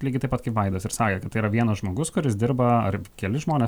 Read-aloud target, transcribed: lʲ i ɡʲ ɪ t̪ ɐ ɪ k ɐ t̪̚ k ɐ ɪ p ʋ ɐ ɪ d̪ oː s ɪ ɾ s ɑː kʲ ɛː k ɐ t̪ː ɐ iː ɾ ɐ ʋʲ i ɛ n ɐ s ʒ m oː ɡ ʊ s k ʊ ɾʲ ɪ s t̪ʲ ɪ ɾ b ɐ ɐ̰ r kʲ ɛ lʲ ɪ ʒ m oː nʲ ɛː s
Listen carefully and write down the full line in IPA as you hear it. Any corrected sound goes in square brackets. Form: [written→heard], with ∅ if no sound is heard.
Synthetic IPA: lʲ i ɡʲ ɪ t̪ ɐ ɪ [k→p] ɐ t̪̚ k ɐ ɪ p ʋ ɐ ɪ d̪ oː s ɪ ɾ s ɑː kʲ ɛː k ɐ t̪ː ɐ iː ɾ ɐ ʋʲ i ɛ n ɐ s ʒ m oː ɡ ʊ s k ʊ ɾʲ ɪ s [t̪ʲ→d̪ʲ] ɪ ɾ b ɐ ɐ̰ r kʲ ɛ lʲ ɪ ʒ m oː nʲ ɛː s